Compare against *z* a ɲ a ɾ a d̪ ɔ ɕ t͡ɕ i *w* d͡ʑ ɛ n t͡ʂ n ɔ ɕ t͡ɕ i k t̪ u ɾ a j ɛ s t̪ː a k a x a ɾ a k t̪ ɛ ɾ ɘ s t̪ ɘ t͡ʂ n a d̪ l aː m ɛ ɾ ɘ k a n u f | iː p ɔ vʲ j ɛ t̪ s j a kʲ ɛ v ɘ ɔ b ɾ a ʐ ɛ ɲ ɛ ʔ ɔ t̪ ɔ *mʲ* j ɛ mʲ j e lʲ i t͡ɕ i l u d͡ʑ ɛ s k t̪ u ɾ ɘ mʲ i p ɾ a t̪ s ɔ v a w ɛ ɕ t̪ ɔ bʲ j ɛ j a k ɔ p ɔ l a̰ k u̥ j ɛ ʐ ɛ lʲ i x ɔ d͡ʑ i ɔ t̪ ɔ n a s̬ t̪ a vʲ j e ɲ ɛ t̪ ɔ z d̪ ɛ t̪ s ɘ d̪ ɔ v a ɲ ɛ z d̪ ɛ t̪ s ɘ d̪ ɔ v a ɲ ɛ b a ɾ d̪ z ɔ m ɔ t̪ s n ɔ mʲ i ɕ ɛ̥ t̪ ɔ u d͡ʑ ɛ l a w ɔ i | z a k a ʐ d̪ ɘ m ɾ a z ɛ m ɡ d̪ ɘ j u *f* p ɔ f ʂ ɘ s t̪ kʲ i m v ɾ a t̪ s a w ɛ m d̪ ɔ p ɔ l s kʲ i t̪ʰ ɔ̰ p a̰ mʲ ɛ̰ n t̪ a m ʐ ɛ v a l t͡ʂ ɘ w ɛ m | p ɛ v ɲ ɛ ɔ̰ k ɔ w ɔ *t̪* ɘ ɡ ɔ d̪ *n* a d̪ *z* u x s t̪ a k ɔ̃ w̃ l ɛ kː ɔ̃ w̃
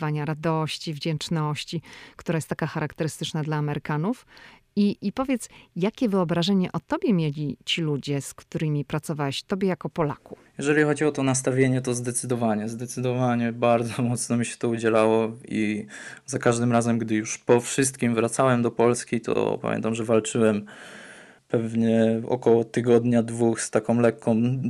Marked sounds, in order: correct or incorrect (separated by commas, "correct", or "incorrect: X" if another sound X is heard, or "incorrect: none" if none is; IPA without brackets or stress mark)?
incorrect: v, incorrect: v, incorrect: bʲ, incorrect: ʂ, correct, incorrect: ɲ, incorrect: v